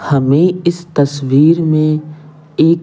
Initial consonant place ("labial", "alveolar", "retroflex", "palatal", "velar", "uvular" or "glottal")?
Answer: glottal